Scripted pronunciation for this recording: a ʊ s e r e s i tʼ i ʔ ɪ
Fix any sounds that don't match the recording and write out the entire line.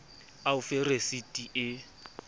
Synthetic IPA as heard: a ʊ f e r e s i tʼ i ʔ ɪ